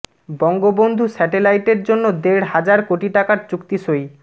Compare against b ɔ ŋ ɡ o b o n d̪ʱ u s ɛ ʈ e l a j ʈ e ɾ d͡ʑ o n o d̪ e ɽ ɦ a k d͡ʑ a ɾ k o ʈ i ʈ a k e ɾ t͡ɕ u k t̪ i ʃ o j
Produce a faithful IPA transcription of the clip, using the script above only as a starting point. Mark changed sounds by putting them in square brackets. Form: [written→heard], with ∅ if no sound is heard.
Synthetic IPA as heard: b ɔ ŋ ɡ o b o n d̪ʱ u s ɛ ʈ e l a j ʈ e ɾ d͡ʑ o [n→nː] o d̪ e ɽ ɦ a [k→∅] d͡ʑ a ɾ k o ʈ i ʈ a k [e→a] ɾ t͡ɕ u k t̪ i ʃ o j